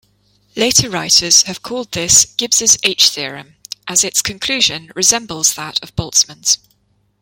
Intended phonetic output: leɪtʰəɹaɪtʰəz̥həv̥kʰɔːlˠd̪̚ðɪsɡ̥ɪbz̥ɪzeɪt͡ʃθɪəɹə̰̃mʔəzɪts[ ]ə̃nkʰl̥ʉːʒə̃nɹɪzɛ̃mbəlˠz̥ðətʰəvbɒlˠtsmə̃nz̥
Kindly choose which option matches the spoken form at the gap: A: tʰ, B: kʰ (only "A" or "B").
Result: B